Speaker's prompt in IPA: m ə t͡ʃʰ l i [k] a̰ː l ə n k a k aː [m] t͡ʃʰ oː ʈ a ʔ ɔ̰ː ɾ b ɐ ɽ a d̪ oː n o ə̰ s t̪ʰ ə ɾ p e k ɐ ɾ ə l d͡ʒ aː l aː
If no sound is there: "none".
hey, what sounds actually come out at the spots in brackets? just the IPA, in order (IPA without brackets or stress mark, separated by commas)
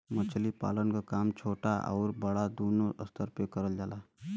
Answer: p, m